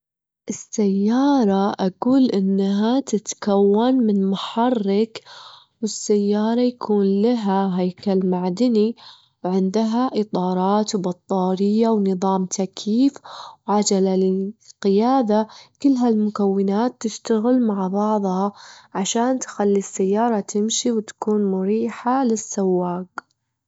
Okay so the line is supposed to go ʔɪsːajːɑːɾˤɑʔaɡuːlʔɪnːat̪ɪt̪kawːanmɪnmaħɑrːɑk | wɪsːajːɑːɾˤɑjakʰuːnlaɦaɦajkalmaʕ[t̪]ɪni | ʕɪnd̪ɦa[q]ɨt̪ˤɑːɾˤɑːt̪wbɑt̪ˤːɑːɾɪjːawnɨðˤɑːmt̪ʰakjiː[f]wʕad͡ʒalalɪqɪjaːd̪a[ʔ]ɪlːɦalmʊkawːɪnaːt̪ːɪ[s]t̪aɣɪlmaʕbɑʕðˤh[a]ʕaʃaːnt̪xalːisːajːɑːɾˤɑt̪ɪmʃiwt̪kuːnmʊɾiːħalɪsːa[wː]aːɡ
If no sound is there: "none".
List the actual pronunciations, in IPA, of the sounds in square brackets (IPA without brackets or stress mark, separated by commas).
d̪, ʔ, f, k, ʃ, ɑ, wː